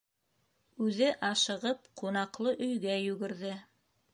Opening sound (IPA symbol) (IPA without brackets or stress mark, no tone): ʉ